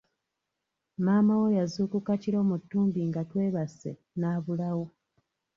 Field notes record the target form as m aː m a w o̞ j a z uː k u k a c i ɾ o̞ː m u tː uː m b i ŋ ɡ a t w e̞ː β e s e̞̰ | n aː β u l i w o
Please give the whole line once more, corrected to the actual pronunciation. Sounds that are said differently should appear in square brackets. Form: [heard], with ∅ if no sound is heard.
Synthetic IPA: m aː m a w o̞ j a z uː k u k a c i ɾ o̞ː m u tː uː m b i ŋ ɡ a t w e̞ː β [a] s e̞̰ | n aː β u l [a] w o